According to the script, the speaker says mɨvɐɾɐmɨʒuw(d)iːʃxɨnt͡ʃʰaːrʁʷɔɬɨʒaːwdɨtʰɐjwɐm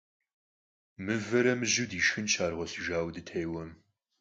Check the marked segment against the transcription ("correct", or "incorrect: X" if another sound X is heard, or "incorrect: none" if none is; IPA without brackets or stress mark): correct